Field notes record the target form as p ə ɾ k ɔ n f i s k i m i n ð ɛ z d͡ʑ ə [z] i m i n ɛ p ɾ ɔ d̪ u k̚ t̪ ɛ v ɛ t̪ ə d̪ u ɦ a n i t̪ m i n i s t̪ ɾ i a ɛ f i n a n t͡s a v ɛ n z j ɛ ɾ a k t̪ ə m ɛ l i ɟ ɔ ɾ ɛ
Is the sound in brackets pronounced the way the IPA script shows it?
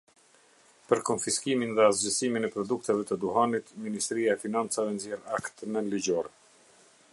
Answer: no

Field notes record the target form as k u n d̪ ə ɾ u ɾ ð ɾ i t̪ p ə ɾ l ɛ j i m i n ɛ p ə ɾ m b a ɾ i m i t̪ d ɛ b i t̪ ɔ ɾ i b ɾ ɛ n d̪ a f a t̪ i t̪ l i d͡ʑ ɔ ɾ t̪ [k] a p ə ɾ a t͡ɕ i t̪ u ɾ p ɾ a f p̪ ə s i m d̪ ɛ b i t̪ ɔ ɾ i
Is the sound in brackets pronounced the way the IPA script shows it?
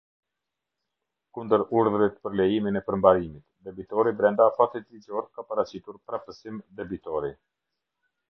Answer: yes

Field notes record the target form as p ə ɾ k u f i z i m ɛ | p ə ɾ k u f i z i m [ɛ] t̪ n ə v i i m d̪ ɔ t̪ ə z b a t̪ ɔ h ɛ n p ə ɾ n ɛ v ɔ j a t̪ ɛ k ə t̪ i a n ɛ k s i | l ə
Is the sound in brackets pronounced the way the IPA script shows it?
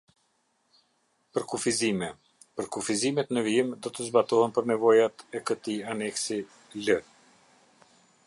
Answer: yes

